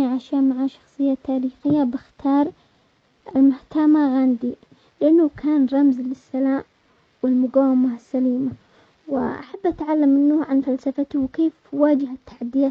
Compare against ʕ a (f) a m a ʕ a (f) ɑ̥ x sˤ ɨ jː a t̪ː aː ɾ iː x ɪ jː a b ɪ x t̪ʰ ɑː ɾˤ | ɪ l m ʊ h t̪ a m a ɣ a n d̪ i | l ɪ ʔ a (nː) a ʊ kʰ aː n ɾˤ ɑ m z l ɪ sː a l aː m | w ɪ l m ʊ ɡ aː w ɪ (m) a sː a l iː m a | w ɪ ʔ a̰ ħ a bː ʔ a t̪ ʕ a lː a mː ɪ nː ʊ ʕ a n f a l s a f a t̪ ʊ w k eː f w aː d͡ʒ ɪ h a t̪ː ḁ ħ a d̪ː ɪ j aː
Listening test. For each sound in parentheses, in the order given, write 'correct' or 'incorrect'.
incorrect: ʃ, incorrect: ʃ, correct, correct

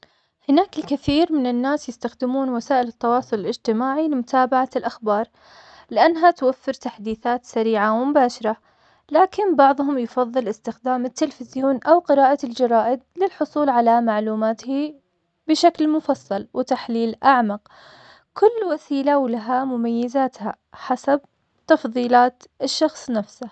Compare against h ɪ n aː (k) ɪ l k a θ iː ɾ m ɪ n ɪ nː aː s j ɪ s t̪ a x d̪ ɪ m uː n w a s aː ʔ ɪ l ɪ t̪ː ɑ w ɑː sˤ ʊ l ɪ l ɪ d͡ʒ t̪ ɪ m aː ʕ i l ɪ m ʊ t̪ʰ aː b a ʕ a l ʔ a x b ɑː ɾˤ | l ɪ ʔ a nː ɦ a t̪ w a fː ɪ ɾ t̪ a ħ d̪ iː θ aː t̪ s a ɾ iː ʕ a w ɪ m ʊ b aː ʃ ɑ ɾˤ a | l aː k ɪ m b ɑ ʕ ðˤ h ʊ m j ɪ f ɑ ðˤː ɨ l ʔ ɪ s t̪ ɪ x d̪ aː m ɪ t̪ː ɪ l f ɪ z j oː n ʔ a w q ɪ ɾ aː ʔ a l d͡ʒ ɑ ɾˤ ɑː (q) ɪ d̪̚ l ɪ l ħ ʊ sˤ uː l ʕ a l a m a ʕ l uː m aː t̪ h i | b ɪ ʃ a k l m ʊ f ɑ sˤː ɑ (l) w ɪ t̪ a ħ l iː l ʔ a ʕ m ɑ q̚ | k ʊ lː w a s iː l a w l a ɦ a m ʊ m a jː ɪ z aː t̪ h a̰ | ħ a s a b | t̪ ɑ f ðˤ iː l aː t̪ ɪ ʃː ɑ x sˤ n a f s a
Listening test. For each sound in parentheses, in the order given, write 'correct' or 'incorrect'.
correct, incorrect: ʔ, correct

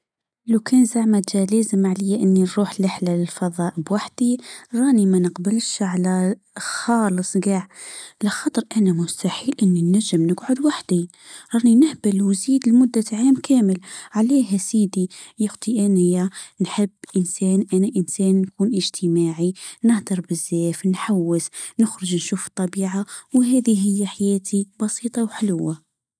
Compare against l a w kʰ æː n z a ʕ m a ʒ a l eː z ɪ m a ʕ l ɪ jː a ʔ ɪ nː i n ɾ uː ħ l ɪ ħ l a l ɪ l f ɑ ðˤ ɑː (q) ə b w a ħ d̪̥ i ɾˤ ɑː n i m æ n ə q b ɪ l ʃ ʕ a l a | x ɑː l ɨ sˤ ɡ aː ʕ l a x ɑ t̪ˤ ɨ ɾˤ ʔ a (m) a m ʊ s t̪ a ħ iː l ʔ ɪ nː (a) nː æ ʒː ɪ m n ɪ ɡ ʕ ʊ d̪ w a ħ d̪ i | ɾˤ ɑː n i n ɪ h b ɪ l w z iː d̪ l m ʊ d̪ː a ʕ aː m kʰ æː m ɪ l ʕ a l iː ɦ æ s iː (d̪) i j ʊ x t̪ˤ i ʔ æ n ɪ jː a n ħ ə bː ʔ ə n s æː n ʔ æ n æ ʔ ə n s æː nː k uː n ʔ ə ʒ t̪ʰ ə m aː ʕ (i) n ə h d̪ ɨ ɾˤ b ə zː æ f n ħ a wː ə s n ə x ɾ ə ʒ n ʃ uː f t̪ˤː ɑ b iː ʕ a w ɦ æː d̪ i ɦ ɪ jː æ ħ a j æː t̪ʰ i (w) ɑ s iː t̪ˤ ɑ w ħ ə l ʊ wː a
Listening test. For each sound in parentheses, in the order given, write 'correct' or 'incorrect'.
incorrect: ʔ, incorrect: n, incorrect: i, correct, correct, incorrect: b

